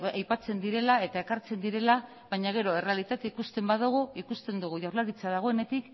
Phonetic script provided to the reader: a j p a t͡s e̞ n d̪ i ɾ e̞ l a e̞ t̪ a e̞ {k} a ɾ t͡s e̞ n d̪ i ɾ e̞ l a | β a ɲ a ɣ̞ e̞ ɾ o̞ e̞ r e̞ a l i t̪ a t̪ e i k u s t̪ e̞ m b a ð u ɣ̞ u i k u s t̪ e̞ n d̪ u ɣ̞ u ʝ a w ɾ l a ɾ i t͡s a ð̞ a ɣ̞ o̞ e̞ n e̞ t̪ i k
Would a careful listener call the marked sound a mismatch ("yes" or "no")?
no